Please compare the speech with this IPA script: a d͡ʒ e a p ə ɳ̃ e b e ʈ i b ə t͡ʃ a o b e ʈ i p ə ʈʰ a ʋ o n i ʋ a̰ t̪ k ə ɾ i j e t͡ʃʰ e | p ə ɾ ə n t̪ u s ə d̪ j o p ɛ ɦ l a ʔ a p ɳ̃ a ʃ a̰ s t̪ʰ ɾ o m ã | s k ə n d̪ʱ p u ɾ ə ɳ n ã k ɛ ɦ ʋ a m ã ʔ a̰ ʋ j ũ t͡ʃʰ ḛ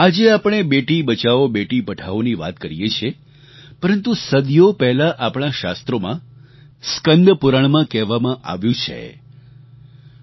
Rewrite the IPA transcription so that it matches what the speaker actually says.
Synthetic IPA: a d͡ʒ e a p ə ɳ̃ e b e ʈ i b ə t͡ʃ a o b e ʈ i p ə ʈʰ a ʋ o n i ʋ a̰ t̪ k ə ɾ i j e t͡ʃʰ e | p ə ɾ ə n t̪ u s ə d̪ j o p ɛ ɦ l a ʔ a p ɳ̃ a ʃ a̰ s t̪ ɾ o m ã | s k ə n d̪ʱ p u ɾ ə ɳ m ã k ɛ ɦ ʋ a m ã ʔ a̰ ʋ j ũ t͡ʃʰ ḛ